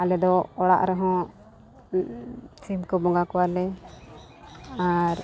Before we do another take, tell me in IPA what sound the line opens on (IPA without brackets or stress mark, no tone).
a